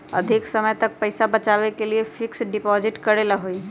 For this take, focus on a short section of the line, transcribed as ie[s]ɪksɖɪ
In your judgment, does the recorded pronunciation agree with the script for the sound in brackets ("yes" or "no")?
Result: no